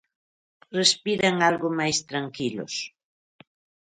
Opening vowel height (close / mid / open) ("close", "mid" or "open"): mid